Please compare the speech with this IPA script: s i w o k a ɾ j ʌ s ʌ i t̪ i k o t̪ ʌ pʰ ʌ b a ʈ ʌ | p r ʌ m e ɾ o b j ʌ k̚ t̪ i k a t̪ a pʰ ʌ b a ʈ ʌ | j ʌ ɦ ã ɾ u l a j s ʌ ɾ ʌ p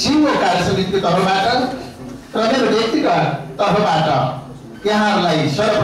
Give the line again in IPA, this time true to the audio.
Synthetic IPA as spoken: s i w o k a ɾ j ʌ s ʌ i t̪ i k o t̪ ʌ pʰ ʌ b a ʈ ʌ | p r ʌ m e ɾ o b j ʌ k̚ t̪ i k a t̪ ʌ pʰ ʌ b a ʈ ʌ | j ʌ ɦ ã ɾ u l a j s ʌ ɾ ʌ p